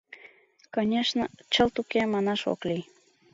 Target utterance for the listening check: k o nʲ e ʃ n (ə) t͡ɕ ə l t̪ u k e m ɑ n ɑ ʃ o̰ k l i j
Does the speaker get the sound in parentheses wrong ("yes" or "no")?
no